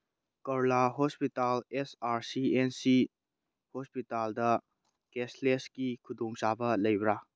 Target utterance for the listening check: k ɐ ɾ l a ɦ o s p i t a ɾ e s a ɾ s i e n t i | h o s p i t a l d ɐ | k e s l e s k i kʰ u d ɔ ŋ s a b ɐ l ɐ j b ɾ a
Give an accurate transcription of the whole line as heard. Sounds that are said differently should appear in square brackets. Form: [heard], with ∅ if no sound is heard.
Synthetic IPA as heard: k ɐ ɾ l a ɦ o s p i t a [l] e s a ɾ s i e n [s] i | h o s p i t a l d ɐ | k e s l e s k i kʰ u d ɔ ŋ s a b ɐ l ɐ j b ɾ a